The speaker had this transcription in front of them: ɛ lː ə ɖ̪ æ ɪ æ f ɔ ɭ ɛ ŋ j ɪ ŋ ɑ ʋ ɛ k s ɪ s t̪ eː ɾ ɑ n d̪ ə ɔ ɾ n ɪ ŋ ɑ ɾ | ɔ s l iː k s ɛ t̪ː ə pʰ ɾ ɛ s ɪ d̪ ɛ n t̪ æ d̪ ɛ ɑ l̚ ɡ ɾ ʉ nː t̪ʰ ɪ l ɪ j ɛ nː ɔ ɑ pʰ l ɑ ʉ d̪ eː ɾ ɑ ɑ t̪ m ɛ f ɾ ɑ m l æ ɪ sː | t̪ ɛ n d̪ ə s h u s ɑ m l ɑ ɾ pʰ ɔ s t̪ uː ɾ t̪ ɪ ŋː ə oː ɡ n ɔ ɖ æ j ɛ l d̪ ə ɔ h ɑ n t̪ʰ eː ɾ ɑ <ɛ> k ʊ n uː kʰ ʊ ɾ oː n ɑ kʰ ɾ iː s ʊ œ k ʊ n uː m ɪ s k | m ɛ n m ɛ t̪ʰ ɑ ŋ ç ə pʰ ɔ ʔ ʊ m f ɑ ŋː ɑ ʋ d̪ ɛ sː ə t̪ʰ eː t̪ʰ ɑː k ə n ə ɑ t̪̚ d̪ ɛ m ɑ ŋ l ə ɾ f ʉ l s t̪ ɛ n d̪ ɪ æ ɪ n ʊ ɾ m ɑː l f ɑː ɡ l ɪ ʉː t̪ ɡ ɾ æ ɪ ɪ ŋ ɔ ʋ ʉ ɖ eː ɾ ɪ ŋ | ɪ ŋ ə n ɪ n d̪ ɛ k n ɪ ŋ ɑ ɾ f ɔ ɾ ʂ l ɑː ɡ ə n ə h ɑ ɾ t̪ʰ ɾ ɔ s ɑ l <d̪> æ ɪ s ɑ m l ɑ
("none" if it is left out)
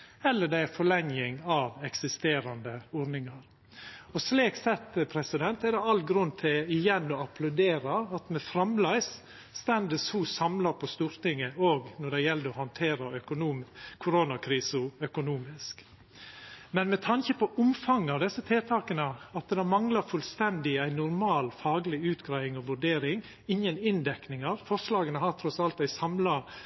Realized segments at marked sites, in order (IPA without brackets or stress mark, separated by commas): œ, t̪